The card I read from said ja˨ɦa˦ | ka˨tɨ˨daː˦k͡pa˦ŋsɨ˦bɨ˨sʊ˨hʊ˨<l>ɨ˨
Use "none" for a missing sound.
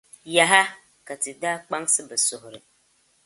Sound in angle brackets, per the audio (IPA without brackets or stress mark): ɾ